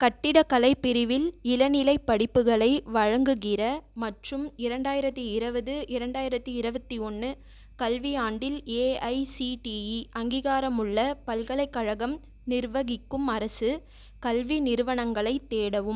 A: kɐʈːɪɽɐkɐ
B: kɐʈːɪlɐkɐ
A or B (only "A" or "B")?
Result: A